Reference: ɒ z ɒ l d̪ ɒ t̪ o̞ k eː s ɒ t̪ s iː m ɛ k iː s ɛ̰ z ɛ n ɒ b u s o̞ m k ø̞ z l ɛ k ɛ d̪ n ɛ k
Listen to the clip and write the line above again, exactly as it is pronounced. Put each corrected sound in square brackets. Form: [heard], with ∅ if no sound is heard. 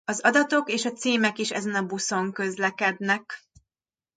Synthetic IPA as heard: ɒ z ɒ [∅] d̪ ɒ t̪ o̞ k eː [ʃ] ɒ t̪ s iː m ɛ k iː [ʃ] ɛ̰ z ɛ n ɒ b u s o̞ [ŋ] k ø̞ z l ɛ k ɛ d̪ n ɛ k